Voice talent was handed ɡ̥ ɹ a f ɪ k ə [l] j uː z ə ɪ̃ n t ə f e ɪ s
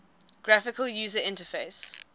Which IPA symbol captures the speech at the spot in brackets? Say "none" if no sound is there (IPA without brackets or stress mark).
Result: l